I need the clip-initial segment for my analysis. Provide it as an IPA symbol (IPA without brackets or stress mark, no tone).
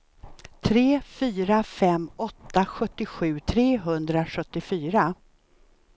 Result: t̪ʰ